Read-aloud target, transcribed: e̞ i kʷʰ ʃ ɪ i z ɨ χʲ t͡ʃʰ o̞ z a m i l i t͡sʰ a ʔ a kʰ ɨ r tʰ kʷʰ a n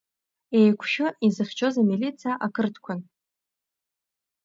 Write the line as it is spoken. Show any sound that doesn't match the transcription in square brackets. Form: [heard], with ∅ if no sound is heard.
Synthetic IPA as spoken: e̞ [j] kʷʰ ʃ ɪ i z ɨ χʲ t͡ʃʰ o̞ z a m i l i t͡sʰ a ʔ a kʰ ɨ r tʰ kʷʰ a n